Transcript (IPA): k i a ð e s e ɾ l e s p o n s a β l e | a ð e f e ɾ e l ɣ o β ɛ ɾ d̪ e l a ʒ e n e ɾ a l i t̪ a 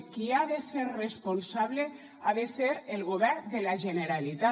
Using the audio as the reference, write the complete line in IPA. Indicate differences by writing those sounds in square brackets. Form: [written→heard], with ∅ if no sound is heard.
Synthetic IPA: k i a ð e s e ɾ [l→r] e s p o n s a β l e | a ð e [f→s] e ɾ e l ɣ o β ɛ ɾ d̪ e l a ʒ e n e ɾ a l i t̪ a